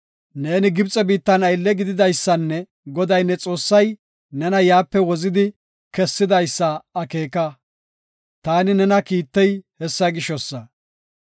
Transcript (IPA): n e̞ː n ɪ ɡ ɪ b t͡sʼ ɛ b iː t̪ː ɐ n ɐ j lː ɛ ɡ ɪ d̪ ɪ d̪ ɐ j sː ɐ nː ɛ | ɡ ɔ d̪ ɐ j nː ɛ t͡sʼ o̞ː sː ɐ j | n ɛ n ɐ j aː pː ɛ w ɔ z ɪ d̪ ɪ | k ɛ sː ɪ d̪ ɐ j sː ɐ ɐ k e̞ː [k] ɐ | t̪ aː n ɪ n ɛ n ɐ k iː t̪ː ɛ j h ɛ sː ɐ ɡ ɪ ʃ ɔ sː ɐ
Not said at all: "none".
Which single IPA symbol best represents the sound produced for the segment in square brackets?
k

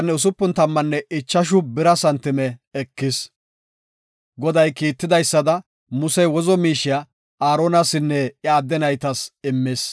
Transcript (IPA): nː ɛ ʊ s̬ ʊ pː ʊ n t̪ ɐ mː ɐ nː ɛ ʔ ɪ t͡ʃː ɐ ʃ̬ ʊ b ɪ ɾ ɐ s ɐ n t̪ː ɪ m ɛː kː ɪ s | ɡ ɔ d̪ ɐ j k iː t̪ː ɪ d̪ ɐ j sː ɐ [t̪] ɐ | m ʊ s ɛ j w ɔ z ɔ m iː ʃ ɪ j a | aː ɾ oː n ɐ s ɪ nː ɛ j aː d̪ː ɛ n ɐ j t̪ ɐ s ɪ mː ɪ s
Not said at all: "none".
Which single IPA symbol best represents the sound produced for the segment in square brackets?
d̪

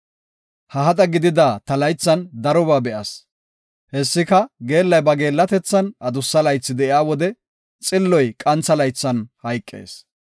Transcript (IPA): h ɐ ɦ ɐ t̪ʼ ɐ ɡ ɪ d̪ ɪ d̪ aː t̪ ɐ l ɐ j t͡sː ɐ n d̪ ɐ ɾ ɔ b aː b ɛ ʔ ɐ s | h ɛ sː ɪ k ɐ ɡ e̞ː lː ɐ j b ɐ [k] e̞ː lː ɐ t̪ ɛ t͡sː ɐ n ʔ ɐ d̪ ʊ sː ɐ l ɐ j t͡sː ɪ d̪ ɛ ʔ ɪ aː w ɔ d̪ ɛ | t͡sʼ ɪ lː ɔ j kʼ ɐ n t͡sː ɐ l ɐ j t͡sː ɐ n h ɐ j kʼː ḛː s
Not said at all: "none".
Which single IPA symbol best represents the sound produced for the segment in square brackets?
ɡ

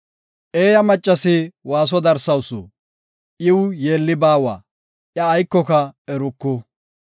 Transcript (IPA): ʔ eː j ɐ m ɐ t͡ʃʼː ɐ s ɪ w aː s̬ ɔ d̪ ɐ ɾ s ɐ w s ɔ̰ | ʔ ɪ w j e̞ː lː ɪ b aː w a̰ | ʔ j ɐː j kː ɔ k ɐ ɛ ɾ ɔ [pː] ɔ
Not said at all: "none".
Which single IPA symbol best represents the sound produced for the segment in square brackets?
kː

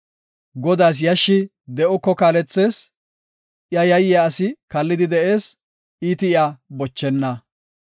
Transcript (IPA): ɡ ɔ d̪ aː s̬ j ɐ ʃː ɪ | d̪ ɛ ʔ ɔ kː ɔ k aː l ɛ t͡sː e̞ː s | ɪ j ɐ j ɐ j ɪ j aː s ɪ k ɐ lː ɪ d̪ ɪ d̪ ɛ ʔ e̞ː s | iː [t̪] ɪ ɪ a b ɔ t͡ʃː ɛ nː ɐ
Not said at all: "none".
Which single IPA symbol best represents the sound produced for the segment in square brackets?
t̪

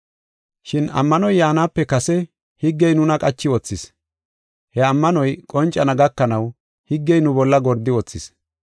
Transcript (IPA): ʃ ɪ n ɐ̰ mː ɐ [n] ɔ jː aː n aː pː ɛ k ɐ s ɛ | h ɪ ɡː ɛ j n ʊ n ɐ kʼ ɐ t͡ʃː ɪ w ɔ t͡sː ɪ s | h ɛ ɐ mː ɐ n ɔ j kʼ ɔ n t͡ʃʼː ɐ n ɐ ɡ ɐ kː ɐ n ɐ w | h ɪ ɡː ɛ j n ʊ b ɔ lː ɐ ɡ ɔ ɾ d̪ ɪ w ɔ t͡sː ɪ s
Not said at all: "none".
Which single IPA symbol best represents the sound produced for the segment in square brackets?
n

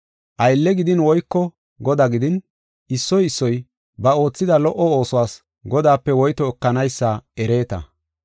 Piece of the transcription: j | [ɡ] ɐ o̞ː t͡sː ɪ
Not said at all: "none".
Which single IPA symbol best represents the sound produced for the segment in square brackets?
b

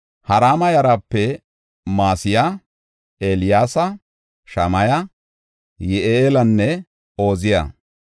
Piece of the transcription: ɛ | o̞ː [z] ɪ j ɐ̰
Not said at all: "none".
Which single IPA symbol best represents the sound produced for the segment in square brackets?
z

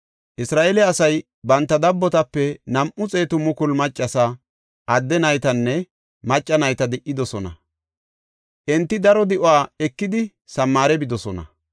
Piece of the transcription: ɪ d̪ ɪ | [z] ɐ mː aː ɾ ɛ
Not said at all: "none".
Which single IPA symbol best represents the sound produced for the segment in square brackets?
s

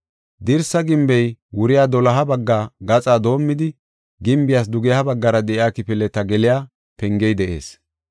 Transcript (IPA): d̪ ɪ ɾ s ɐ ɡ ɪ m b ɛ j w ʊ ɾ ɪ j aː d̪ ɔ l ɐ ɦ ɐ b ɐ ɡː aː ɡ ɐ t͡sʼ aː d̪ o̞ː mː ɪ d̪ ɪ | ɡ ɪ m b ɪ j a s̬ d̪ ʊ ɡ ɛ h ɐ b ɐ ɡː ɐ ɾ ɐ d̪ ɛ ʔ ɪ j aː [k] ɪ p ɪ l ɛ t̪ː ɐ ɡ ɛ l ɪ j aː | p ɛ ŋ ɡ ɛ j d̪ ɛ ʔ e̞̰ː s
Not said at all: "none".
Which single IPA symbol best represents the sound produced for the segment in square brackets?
k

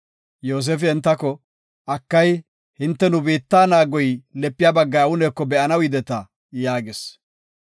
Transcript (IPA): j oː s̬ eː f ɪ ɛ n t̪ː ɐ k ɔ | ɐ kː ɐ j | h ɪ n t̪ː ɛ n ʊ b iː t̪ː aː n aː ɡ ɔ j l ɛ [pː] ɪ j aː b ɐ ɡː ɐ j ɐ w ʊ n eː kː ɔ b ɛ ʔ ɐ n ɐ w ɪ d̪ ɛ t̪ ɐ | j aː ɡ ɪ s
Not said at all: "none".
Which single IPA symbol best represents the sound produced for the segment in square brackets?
pː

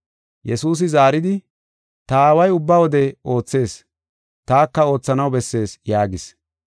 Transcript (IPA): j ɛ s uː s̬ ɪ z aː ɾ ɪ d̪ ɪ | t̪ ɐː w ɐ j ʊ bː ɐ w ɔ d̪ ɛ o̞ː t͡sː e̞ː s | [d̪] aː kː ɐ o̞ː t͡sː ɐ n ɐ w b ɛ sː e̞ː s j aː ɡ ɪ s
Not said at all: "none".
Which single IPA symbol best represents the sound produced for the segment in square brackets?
t̪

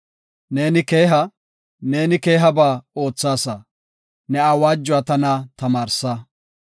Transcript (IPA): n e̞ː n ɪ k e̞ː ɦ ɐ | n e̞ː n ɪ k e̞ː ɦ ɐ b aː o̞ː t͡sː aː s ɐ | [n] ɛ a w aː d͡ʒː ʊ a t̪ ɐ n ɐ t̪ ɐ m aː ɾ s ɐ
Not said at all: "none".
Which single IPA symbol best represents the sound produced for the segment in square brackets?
n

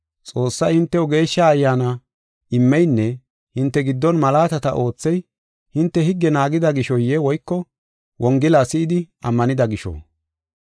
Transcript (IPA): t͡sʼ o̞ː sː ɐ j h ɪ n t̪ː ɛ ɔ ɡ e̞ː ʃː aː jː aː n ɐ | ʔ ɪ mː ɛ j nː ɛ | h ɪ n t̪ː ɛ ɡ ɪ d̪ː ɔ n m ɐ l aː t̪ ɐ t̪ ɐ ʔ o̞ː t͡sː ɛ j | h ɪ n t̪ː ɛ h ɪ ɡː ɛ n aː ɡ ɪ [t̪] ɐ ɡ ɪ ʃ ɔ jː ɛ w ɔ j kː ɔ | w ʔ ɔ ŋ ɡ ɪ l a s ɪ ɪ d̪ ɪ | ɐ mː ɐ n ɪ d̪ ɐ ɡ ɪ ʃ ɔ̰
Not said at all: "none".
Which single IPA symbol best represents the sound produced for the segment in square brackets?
d̪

